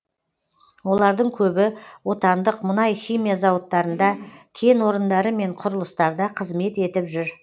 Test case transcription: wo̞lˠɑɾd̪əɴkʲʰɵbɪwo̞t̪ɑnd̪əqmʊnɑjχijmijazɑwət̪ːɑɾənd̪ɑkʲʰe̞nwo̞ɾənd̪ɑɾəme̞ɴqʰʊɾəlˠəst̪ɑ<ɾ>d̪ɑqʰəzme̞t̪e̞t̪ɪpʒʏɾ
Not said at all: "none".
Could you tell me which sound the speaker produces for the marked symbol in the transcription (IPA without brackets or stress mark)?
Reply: ɾ